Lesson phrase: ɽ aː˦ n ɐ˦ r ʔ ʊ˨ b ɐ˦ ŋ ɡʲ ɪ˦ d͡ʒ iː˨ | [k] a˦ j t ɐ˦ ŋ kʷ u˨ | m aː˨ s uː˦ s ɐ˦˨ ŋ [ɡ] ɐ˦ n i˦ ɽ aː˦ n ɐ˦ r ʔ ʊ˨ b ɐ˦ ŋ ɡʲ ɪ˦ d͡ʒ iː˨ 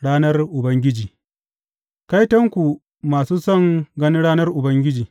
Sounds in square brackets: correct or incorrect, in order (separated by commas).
correct, correct